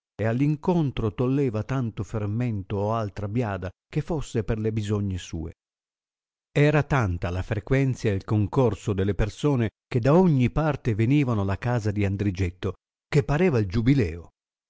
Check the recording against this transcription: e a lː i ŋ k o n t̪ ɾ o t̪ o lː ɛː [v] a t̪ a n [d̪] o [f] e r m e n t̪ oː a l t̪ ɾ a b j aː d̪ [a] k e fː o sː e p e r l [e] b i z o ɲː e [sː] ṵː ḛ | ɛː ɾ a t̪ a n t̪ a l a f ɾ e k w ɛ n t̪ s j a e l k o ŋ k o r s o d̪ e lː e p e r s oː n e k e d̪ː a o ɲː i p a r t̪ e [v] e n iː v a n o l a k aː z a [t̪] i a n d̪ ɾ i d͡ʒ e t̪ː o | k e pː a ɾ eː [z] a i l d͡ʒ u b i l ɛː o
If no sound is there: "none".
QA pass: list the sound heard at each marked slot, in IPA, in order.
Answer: v, t̪, f, a, e, s, v, d̪, v

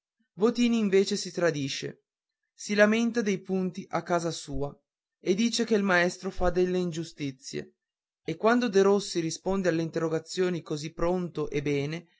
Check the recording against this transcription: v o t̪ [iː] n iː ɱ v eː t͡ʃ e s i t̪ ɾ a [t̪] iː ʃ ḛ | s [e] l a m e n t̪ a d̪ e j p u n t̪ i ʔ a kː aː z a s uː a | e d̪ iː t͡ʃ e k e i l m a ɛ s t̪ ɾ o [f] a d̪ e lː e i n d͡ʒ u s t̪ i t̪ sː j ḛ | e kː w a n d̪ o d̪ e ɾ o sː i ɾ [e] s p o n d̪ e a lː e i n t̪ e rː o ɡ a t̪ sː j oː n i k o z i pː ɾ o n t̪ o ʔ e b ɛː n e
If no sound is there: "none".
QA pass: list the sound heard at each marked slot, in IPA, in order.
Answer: iː, d̪, i, f, i

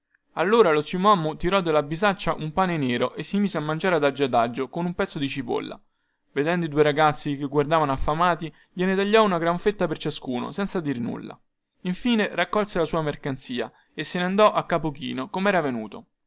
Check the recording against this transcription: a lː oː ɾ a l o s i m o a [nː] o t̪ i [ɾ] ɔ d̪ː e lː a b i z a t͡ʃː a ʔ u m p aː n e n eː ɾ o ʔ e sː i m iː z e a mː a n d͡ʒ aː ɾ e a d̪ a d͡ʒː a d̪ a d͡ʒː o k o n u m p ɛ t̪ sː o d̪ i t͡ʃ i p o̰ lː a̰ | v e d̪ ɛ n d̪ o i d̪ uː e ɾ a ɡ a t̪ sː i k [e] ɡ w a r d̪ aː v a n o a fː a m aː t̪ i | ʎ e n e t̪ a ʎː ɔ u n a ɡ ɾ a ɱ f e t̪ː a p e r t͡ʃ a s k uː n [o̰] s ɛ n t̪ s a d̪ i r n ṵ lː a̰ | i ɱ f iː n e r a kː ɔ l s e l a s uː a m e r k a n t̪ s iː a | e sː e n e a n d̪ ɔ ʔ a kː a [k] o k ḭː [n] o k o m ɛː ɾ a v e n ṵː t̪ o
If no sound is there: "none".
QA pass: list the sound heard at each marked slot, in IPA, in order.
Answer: mː, ɾ, e, o̰, p, n

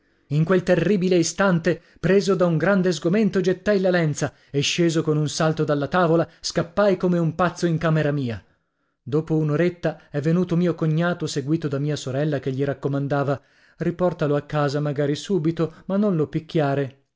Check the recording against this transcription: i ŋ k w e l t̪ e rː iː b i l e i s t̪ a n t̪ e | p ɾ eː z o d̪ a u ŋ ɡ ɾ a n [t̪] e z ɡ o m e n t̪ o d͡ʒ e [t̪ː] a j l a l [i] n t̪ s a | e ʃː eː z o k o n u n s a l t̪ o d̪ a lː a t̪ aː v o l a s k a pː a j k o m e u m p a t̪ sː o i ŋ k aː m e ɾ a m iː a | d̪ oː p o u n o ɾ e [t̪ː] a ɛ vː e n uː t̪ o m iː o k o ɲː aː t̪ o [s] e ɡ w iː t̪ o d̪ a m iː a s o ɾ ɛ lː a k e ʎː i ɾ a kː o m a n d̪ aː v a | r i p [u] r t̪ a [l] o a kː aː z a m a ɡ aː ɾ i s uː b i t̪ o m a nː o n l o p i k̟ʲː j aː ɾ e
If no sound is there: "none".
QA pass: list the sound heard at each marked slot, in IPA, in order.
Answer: d̪, t̪ː, ɛ, t̪ː, s, ɔ, l

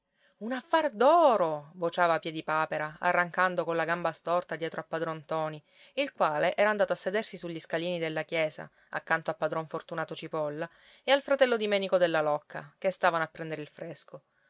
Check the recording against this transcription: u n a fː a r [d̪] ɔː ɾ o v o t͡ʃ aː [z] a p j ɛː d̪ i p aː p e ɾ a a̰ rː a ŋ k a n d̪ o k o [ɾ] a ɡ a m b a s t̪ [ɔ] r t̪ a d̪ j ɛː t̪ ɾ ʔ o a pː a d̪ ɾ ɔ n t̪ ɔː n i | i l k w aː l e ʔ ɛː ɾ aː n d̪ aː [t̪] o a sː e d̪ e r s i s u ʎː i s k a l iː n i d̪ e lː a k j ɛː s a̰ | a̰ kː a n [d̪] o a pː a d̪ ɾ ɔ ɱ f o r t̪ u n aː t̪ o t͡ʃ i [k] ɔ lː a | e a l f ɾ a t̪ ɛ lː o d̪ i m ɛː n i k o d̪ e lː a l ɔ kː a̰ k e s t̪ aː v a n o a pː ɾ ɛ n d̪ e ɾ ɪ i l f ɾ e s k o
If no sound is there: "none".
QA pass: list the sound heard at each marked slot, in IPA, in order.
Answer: d̪, v, l, ɔ, t̪, t̪, p

